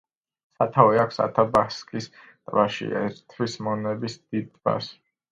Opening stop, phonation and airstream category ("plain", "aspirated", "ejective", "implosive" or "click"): aspirated